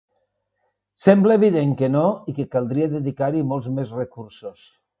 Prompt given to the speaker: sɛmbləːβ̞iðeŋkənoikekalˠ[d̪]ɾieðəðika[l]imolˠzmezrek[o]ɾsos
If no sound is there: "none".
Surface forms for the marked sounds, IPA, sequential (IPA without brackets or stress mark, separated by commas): d̪, ɾ, u